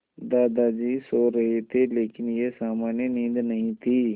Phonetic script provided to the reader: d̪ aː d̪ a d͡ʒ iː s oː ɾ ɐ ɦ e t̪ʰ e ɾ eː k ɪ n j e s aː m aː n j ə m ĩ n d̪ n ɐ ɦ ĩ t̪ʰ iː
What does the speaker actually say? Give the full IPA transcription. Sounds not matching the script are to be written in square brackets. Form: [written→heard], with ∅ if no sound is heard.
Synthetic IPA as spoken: d̪ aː d̪ a d͡ʒ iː s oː ɾ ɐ ɦ e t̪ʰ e [ɾ→l] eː k ɪ n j e s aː m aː n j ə [m→n] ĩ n d̪ n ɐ ɦ ĩ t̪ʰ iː